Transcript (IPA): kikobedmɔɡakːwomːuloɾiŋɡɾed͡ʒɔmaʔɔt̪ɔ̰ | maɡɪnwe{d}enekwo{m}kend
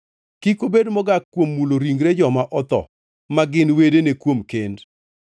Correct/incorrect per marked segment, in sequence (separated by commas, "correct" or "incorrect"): correct, correct